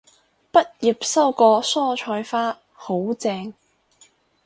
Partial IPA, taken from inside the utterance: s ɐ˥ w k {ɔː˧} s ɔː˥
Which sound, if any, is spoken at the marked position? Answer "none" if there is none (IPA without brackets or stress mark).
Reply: ɔː˧